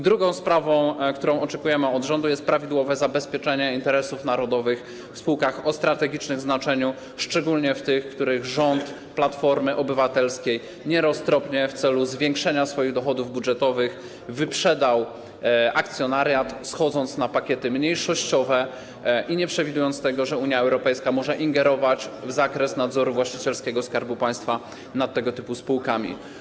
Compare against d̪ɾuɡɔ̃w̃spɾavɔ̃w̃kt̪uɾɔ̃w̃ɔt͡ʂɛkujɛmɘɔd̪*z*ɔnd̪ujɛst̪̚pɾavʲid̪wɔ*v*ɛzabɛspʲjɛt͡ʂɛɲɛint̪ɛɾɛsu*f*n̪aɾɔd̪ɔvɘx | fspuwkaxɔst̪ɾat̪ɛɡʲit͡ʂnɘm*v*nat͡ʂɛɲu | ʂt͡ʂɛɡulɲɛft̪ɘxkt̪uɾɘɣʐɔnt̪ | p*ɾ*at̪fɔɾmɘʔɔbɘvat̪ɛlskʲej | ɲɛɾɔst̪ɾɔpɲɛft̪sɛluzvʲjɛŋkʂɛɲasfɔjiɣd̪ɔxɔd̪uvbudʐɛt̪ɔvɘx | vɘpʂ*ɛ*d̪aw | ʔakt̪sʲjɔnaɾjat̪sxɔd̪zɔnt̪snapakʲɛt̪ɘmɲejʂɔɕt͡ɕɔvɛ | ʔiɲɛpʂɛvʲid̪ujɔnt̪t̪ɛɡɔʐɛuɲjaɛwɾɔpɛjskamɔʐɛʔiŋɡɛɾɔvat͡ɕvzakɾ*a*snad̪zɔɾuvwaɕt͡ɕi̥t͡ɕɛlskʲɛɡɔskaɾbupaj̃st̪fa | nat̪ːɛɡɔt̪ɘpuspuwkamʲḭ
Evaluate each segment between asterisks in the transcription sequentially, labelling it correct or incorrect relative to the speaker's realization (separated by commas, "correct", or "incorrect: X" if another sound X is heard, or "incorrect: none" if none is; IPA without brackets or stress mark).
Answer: incorrect: ʐ, correct, correct, incorrect: z, incorrect: l, correct, incorrect: ɛ